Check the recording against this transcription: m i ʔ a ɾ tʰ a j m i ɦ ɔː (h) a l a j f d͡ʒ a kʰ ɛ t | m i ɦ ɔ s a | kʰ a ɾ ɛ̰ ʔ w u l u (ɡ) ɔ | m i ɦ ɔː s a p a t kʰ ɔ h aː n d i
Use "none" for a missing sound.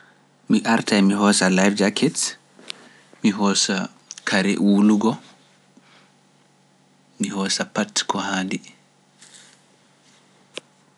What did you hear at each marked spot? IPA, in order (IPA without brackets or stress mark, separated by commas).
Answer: s, ɡ